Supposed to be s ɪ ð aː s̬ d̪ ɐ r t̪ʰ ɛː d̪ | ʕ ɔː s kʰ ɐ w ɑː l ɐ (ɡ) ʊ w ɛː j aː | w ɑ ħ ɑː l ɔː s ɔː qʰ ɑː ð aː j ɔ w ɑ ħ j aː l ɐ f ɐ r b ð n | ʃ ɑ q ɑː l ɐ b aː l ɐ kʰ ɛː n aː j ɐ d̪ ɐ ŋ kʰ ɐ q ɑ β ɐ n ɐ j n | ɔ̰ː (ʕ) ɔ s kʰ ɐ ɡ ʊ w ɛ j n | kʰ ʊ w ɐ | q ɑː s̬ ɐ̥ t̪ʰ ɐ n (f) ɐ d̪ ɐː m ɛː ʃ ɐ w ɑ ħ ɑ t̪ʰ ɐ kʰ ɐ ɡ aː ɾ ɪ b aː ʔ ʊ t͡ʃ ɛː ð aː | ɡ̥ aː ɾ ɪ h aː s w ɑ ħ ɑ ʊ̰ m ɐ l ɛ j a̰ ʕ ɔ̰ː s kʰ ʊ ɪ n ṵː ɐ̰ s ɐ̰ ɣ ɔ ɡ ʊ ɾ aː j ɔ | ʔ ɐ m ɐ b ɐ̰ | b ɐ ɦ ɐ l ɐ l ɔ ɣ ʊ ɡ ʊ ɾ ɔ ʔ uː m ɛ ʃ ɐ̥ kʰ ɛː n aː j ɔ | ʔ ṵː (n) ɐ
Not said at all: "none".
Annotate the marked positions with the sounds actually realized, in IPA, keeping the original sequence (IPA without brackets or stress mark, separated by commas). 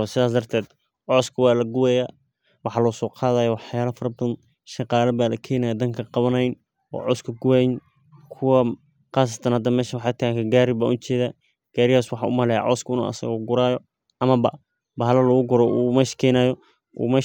ɡ, ʕ, h, m